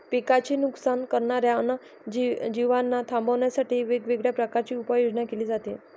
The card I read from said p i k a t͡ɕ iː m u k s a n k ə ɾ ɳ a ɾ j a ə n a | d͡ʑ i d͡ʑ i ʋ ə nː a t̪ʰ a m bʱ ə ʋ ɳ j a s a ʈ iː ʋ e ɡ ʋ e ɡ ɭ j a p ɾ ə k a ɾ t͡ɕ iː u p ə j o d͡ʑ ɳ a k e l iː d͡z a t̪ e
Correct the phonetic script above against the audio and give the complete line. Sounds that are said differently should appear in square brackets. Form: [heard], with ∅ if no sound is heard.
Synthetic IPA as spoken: p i k a t͡ɕ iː [n] u k s a n k ə ɾ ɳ a ɾ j a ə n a | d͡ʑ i d͡ʑ i ʋ [a] nː a t̪ʰ a m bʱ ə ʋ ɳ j a s a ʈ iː ʋ e ɡ ʋ e ɡ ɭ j a p ɾ ə k a ɾ t͡ɕ iː u p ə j o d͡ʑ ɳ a k e l iː d͡z a t̪ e